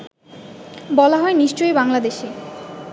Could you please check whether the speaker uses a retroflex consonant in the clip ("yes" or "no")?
no